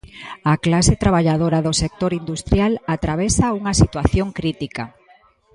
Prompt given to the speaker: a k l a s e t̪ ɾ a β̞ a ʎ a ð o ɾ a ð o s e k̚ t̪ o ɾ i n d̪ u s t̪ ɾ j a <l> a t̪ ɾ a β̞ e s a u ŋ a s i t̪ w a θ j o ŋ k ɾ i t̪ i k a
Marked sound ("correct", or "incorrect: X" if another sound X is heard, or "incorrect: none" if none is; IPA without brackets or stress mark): correct